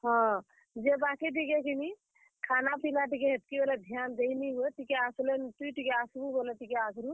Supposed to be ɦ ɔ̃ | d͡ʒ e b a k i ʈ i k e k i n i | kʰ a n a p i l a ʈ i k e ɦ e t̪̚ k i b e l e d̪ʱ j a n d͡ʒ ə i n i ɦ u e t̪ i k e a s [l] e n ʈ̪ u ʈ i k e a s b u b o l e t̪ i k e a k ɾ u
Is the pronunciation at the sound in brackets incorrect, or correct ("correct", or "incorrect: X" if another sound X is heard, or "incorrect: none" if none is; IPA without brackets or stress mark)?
correct